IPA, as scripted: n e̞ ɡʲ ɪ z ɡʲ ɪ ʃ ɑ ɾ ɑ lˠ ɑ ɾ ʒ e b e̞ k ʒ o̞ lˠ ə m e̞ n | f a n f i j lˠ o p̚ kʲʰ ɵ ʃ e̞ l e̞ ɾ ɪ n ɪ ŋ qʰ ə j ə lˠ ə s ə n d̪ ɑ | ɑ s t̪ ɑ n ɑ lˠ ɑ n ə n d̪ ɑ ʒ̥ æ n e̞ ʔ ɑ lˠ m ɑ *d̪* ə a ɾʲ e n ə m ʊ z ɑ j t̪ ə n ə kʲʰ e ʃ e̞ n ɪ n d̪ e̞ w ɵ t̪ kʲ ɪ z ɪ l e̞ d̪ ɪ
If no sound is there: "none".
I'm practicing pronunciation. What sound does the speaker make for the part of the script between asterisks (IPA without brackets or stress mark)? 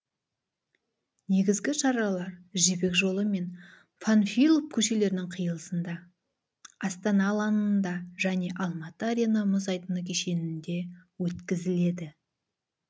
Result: t̪